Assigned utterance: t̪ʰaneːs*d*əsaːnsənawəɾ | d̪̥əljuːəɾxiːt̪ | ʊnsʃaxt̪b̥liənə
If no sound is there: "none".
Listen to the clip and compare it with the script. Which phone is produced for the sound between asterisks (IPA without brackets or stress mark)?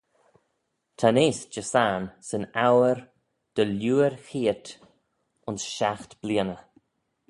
d͡ʒ